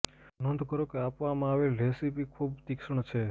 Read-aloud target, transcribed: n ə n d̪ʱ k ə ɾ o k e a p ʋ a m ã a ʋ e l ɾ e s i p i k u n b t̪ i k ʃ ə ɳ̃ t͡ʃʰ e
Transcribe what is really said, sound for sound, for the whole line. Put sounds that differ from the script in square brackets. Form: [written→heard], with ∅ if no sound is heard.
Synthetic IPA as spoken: n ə n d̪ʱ k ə ɾ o k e a p ʋ a m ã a ʋ e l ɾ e s i p i [k→kʰ] u [n→∅] b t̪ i k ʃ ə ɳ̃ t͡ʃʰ e